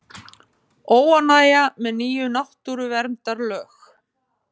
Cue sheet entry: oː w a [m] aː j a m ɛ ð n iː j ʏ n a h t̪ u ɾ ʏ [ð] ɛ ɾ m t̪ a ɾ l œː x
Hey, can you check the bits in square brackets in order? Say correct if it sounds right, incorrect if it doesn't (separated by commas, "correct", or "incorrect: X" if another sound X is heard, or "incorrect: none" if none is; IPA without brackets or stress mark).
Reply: incorrect: n, incorrect: v